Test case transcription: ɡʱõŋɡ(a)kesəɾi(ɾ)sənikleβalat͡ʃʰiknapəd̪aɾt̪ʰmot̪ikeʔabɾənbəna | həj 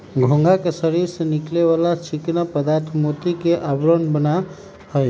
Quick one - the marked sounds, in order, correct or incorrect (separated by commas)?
correct, correct